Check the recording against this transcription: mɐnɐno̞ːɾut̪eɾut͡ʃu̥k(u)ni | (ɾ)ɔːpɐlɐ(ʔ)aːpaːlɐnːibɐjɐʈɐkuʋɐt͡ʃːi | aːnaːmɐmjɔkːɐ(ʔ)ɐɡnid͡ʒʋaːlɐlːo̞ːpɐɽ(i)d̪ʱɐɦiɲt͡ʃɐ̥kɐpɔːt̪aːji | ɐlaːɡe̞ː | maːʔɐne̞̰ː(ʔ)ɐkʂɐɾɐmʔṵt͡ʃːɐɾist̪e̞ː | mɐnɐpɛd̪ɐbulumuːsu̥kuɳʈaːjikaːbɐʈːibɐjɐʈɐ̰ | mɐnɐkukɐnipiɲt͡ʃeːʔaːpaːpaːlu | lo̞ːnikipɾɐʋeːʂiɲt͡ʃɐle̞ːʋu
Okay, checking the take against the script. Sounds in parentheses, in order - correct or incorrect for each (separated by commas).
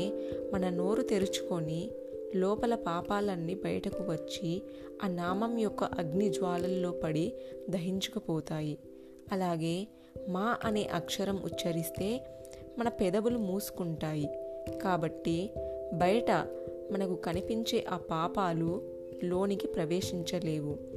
incorrect, incorrect, incorrect, correct, correct, correct